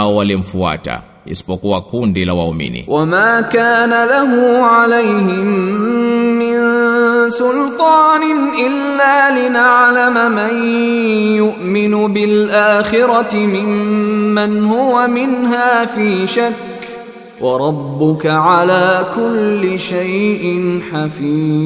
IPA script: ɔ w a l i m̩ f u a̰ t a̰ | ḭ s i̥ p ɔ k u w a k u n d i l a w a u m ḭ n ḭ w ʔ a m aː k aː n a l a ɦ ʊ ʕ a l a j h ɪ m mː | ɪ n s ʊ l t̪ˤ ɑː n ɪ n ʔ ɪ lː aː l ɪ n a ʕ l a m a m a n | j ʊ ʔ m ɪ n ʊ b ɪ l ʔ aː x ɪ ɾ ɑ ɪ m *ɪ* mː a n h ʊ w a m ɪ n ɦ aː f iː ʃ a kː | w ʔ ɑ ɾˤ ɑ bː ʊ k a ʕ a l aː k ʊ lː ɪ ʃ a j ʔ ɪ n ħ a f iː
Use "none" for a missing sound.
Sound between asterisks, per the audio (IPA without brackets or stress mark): ɪ